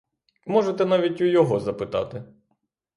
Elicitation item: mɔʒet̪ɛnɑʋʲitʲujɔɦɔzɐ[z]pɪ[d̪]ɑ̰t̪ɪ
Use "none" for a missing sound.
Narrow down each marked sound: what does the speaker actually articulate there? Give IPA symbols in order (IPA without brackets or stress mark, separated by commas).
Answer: none, t̪